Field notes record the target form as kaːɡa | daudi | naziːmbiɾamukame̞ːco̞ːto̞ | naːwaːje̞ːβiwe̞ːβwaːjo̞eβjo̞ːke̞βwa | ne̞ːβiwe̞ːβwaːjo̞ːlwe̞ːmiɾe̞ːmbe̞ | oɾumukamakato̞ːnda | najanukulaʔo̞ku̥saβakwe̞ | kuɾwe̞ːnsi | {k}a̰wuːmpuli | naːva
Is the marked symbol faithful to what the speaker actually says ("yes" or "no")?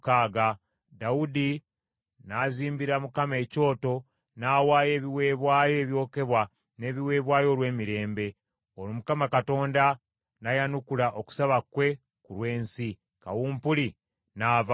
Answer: yes